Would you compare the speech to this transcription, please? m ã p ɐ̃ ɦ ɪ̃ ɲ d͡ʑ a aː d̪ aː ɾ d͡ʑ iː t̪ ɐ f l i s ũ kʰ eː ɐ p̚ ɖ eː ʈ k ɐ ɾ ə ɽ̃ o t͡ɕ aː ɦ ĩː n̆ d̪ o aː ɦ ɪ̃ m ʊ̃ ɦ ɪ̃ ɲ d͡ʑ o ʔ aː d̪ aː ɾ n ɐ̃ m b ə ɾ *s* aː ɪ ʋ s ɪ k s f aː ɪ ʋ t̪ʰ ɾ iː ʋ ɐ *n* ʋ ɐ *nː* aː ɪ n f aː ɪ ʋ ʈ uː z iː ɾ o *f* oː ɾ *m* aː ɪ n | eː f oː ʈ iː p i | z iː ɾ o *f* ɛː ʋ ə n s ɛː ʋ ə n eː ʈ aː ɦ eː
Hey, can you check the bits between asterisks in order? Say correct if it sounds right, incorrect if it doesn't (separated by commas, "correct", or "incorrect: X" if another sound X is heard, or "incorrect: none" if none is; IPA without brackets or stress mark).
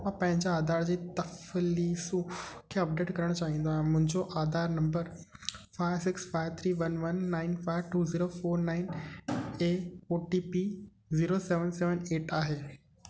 incorrect: f, correct, correct, correct, incorrect: n, incorrect: s